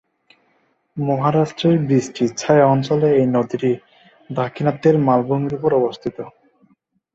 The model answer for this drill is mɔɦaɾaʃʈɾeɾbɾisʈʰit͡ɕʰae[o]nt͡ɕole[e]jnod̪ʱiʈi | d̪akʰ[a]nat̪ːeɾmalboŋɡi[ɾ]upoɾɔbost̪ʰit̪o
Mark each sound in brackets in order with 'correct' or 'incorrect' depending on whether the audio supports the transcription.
incorrect, correct, incorrect, correct

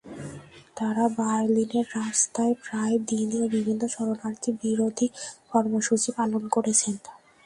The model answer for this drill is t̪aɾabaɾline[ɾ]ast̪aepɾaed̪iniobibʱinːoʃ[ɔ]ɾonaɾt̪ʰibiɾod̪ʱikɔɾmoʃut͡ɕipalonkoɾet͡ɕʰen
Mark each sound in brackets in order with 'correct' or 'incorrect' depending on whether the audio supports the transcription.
incorrect, correct

